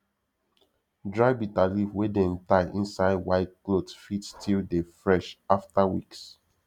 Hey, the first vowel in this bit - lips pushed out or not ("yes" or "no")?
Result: no